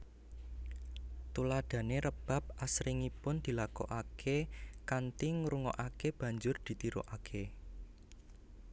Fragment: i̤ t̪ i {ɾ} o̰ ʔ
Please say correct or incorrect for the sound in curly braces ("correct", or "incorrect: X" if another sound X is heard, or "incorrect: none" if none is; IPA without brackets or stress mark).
correct